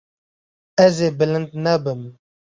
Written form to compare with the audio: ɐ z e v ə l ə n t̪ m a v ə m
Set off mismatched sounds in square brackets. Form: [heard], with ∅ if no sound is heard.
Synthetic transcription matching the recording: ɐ z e [b] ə l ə n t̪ [n] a [b] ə m